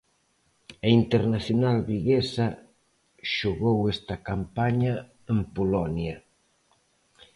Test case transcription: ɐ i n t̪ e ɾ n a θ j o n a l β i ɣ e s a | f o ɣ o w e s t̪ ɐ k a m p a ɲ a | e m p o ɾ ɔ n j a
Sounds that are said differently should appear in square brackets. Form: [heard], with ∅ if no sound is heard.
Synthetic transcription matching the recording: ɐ i n t̪ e ɾ n a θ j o n a l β i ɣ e s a | [ʃ] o ɣ o w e s t̪ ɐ k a m p a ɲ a | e m p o [l] ɔ n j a